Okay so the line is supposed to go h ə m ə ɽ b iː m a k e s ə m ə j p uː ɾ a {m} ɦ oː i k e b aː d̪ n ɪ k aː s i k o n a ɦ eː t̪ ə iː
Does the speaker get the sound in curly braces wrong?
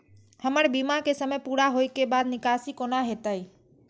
yes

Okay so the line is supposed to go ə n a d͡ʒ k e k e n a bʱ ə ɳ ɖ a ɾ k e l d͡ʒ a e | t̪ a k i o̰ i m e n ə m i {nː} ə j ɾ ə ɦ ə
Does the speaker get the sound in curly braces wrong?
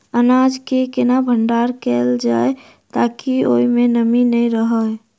yes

